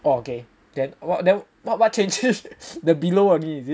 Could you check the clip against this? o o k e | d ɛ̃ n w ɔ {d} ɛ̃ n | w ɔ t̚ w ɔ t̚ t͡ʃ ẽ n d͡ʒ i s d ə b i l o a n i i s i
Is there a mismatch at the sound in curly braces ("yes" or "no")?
no